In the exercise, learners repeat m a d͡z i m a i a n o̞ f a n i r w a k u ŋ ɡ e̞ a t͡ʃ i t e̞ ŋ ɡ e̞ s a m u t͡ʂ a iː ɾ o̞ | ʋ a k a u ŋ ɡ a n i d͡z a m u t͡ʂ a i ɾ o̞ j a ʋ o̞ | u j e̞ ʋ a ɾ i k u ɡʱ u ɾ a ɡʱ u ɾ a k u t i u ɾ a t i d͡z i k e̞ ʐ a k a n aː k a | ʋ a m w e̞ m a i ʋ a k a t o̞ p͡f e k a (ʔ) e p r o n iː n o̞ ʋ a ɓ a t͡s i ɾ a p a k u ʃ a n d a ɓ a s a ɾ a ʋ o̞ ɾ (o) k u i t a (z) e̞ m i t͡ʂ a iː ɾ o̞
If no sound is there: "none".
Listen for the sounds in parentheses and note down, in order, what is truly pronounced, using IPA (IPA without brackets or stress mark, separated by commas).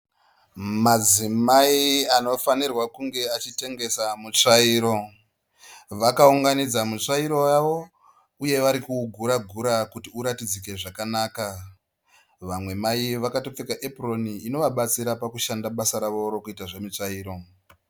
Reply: ʔ, o, ʐ